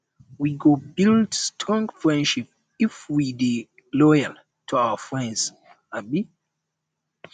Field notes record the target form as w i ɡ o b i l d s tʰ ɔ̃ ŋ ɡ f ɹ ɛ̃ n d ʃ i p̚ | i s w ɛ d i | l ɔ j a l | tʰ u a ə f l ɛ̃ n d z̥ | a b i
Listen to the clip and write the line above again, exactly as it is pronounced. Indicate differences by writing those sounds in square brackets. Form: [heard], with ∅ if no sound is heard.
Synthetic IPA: w i ɡ o b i l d s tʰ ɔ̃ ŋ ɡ f ɹ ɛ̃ n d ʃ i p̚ | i [f] w [i] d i | l ɔ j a l | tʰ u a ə f [ɹ] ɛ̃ n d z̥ | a b i